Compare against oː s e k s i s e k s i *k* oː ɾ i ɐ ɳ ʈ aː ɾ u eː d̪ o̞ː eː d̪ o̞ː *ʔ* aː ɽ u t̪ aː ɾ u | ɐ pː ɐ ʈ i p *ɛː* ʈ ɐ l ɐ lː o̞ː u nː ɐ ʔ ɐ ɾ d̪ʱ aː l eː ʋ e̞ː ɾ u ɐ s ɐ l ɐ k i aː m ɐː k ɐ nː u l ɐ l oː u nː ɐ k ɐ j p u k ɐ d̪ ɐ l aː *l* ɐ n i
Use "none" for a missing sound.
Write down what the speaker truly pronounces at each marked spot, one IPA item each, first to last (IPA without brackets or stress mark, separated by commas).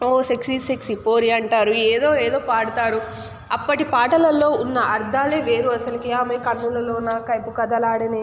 p, p, aː, ɽ